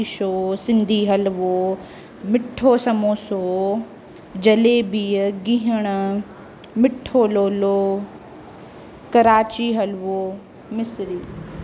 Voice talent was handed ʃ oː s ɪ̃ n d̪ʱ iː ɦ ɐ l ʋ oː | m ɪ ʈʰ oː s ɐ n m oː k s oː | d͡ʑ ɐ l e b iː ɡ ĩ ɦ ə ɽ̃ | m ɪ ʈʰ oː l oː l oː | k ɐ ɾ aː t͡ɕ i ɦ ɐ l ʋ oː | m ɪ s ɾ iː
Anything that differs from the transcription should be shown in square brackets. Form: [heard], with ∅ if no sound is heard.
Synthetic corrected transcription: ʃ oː s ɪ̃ n d̪ʱ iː ɦ ɐ l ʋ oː | m ɪ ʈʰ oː s ɐ [∅] m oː [∅] s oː | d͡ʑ ɐ l e b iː ɡ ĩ ɦ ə ɽ̃ | m ɪ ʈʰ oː l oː l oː | k ɐ ɾ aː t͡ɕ i ɦ ɐ l ʋ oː | m ɪ s ɾ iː